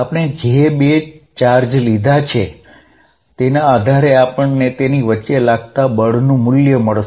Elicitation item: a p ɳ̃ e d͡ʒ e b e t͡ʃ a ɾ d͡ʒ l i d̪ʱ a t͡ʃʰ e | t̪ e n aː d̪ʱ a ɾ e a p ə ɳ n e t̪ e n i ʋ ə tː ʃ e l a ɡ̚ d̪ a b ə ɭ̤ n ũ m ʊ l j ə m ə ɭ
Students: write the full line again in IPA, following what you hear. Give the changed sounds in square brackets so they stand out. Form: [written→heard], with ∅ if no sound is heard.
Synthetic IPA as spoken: a p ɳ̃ e d͡ʒ e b e t͡ʃ a ɾ d͡ʒ l i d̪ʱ a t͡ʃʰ e | t̪ e n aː d̪ʱ a ɾ e a p ə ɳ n e t̪ e n i ʋ ə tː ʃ e l a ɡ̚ [d̪→t̪] a b ə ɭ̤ n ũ m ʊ l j ə m ə ɭ